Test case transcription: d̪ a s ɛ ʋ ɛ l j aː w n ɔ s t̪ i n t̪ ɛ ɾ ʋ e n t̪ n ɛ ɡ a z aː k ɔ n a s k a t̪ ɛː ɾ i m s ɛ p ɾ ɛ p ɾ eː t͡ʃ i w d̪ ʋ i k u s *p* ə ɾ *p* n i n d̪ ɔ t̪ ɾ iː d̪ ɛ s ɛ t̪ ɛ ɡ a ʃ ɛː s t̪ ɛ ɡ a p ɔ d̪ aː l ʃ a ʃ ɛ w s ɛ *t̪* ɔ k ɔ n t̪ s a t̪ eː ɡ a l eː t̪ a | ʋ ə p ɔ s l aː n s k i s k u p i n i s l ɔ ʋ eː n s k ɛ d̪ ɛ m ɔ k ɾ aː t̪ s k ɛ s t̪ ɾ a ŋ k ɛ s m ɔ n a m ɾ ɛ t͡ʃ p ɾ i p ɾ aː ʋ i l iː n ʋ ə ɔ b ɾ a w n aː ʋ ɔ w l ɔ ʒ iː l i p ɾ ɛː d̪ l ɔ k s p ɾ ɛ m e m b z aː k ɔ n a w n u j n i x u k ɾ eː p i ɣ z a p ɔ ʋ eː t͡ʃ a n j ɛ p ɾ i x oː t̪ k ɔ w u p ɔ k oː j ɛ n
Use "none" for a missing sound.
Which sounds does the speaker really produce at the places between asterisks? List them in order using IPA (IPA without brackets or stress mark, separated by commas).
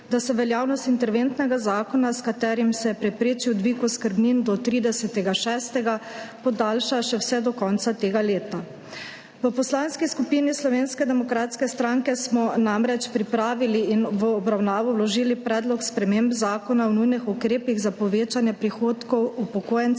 k, b, d̪